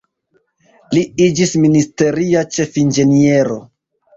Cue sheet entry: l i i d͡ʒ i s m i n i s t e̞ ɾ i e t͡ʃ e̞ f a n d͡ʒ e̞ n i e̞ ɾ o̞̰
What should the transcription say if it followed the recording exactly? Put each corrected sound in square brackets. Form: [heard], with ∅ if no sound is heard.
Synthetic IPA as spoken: l i i d͡ʒ i s m i n i s t e̞ ɾ i [a] t͡ʃ e̞ f [i] n d͡ʒ e̞ n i e̞ ɾ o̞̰